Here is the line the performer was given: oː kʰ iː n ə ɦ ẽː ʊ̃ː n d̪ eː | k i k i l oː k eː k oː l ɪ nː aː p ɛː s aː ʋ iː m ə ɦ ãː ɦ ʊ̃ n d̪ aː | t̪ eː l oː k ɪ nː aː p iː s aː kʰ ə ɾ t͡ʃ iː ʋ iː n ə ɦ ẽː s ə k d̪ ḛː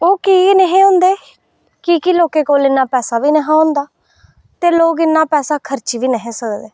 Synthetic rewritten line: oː k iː n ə ɦ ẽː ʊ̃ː n d̪ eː | k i k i l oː k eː k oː l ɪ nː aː p ɛː s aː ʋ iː n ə ɦ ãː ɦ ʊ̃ n d̪ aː | t̪ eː l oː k ɪ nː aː p ɛː s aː kʰ ə ɾ t͡ʃ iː ʋ iː n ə ɦ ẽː s ə k d̪ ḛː